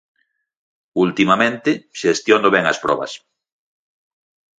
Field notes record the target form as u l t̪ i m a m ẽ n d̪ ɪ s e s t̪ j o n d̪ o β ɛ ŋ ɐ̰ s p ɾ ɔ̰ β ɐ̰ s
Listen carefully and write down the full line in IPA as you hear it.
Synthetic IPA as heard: u l t̪ i m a m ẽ n t̪ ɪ ʃ e s t̪ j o n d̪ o β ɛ ŋ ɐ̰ s p ɾ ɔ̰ β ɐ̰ s